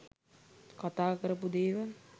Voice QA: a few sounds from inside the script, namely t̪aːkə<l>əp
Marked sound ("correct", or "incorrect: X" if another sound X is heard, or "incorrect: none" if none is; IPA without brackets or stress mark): incorrect: ɾ